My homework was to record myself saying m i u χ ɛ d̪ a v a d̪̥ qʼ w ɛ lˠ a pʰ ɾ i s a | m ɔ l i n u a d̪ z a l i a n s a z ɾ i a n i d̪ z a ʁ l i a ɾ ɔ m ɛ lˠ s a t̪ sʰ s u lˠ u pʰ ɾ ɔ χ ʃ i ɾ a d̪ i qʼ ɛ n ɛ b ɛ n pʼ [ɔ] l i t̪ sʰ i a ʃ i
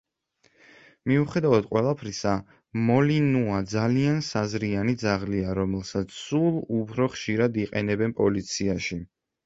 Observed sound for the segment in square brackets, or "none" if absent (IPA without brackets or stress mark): ɔ